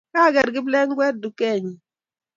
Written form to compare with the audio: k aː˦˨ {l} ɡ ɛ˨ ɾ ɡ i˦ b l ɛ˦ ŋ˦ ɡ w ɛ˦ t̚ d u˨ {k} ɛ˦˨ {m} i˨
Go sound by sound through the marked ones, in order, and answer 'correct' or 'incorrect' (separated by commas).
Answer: incorrect, correct, incorrect